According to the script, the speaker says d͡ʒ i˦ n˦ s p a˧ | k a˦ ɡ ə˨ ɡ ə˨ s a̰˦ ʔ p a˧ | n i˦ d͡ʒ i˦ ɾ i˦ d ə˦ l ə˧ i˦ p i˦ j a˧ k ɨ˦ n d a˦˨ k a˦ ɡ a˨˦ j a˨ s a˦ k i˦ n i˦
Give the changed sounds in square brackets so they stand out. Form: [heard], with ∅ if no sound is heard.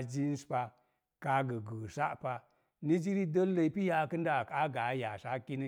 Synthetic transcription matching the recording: d͡ʒ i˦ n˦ s p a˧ | k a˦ ɡ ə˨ ɡ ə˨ s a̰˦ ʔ p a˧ | n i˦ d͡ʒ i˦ ɾ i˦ d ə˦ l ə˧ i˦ p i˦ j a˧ k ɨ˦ n d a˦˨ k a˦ ɡ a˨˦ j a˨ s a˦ k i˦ n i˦